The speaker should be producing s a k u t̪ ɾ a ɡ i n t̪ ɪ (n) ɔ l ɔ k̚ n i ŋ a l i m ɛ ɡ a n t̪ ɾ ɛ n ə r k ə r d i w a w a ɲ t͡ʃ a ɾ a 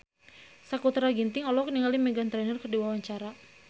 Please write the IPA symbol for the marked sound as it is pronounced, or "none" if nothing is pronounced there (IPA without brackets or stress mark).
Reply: ŋ